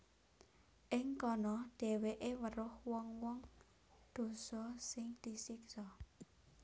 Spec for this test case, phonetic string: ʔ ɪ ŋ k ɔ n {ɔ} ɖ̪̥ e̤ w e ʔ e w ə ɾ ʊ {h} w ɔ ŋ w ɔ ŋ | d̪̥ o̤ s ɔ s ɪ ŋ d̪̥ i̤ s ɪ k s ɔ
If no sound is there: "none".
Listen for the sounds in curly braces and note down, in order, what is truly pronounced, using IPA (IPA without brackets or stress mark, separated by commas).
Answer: ɔ, h